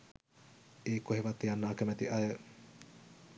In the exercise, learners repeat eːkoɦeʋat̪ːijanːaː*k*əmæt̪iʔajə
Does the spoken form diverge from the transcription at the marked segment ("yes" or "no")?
no